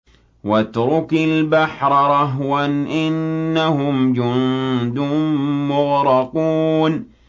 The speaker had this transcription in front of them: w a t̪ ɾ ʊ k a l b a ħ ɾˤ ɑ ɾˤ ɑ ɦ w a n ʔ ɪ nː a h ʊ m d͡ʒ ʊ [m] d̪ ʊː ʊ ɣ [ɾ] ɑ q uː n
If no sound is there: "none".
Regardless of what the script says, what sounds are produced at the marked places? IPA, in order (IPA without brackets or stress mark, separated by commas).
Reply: n, ɾ